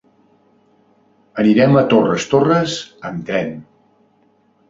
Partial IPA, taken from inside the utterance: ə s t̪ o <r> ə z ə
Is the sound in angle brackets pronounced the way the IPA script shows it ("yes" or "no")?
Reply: yes